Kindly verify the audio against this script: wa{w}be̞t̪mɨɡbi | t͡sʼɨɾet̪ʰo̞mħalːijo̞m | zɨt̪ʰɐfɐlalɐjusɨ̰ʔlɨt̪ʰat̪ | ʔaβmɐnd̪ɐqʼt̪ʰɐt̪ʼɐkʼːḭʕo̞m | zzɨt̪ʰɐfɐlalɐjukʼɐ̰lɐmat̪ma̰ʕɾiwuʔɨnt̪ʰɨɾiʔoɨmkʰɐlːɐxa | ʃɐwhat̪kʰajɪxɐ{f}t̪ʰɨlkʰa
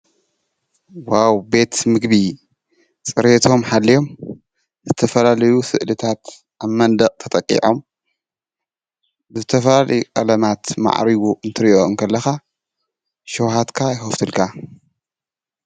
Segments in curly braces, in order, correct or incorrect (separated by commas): correct, correct